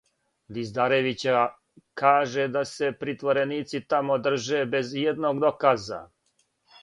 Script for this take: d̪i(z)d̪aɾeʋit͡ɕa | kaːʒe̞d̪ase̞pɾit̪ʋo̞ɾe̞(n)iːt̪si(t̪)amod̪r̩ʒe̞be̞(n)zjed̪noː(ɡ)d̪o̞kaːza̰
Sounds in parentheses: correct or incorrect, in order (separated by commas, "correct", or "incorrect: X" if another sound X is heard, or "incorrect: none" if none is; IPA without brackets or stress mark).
correct, correct, correct, incorrect: none, correct